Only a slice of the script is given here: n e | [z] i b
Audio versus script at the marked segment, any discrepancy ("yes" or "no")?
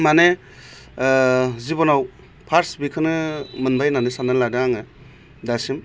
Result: no